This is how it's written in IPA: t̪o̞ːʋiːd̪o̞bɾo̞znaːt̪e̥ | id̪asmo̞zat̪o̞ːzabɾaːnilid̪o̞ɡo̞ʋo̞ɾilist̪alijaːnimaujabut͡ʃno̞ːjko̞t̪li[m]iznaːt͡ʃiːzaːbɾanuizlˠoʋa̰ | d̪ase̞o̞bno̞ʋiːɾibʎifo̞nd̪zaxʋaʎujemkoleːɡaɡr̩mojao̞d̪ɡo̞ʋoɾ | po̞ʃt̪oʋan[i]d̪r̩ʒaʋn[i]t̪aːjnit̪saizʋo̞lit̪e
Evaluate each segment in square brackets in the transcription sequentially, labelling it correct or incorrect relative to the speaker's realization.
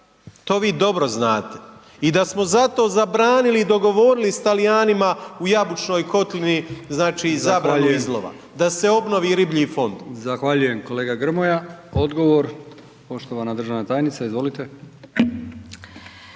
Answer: incorrect: n, incorrect: a, incorrect: a

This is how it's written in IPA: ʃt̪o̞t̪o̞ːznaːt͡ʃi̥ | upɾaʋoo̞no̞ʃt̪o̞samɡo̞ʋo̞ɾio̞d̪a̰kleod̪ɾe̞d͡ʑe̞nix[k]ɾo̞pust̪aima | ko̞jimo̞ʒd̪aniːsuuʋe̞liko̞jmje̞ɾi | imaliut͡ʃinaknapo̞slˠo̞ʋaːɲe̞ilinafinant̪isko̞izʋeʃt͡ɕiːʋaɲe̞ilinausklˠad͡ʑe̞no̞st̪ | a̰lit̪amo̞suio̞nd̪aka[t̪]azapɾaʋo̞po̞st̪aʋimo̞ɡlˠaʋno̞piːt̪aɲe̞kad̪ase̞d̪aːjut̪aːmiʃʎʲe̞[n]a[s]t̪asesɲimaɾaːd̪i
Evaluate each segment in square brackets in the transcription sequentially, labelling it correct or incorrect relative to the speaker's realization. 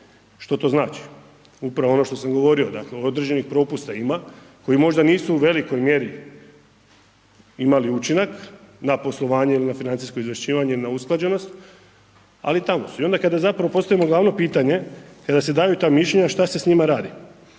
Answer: incorrect: p, incorrect: d̪, incorrect: ɲ, incorrect: ʃ

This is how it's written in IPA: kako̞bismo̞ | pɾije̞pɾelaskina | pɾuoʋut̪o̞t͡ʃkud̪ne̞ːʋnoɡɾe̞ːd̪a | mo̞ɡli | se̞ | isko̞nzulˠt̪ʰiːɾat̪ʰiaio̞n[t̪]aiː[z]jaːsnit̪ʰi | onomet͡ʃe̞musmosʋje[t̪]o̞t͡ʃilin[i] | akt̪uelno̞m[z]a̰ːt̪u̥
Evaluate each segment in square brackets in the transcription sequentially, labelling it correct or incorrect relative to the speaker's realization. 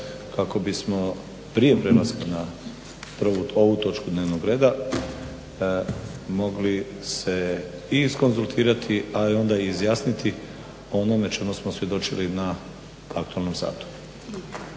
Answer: incorrect: d̪, correct, incorrect: d̪, incorrect: a, incorrect: s

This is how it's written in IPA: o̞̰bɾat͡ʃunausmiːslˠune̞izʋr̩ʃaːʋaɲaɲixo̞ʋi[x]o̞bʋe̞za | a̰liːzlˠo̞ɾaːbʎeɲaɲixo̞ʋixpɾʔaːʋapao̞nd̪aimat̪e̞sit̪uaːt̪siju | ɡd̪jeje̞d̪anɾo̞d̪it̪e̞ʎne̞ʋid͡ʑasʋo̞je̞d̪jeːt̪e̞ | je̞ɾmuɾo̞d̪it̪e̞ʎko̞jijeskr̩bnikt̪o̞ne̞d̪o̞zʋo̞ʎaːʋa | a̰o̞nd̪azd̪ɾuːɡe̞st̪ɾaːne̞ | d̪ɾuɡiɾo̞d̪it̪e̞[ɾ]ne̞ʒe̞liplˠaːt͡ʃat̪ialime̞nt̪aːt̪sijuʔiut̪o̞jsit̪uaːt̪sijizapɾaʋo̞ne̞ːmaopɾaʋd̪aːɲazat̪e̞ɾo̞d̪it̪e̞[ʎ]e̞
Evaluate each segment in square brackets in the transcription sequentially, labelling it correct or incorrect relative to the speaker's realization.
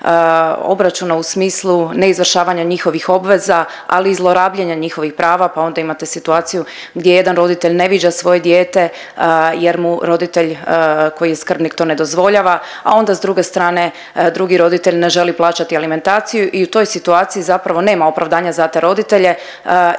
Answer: correct, incorrect: ʎ, correct

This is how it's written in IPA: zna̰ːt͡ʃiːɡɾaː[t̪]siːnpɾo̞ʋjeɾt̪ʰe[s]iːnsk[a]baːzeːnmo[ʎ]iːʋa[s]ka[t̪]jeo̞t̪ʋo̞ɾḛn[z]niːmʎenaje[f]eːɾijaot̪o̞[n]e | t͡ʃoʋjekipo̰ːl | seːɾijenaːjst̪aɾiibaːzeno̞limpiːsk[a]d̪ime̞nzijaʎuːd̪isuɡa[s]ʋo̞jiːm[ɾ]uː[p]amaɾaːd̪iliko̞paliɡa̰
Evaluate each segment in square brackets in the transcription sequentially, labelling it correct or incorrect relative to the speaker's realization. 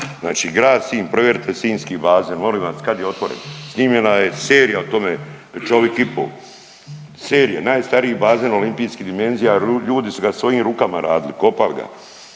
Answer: incorrect: d̪, correct, incorrect: i, incorrect: l, correct, incorrect: d̪, incorrect: s, incorrect: s, incorrect: m, incorrect: i, correct, correct, incorrect: k

